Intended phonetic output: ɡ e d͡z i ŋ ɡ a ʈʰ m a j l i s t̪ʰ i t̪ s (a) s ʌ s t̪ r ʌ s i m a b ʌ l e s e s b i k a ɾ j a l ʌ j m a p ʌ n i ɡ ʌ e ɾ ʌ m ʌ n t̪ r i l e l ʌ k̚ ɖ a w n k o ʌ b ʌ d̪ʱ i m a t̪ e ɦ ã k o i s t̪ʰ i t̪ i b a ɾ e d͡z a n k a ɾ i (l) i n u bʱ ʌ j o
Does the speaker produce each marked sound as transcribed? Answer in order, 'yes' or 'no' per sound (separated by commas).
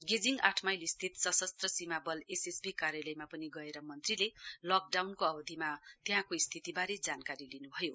no, yes